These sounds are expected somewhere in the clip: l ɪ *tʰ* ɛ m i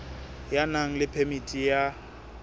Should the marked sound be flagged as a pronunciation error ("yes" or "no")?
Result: yes